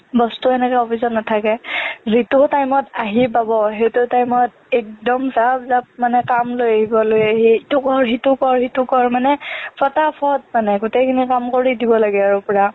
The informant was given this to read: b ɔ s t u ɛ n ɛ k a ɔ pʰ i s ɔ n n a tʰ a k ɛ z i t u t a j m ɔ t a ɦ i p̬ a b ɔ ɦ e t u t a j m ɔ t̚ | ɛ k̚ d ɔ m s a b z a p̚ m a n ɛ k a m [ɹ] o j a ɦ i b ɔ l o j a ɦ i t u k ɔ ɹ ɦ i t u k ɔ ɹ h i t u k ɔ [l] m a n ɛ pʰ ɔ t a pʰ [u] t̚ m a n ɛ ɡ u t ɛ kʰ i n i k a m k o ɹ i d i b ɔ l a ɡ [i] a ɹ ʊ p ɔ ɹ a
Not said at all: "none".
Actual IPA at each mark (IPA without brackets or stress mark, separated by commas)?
l, ɹ, ɔ, ɛ